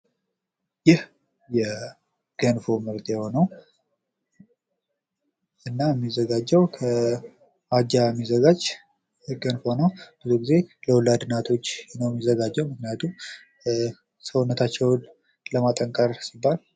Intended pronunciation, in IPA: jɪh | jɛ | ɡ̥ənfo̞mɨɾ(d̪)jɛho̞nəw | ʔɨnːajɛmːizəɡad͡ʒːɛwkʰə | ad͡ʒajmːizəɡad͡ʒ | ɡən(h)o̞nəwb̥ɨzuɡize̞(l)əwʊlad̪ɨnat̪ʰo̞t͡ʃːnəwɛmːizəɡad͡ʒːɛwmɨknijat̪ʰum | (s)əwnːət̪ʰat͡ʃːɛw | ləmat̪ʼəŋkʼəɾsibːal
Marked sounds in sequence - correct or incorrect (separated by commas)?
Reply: incorrect, incorrect, correct, correct